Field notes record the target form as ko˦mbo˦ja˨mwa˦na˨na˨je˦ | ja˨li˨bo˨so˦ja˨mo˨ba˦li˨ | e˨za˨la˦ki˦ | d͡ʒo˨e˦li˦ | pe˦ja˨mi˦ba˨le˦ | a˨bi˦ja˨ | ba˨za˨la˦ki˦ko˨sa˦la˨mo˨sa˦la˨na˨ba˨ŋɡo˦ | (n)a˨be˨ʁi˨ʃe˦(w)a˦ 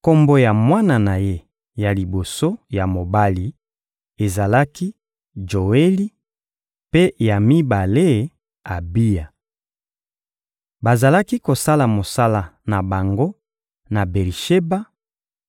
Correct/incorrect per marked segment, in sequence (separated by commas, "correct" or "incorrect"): correct, incorrect